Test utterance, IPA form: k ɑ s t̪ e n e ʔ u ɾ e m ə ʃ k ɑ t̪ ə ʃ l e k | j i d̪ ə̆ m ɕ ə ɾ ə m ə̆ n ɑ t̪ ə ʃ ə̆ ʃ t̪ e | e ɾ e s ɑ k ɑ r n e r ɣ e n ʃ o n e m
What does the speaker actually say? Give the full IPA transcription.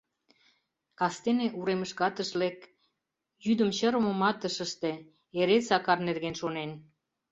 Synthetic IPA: k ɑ s t̪ e n e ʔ u ɾ e m ə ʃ k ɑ t̪ ə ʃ l e k | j y d̪ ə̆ m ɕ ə ɾ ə m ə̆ m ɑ t̪ ə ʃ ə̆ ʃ t̪ e | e ɾ e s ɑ k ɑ r n e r ɣ e n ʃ o n e n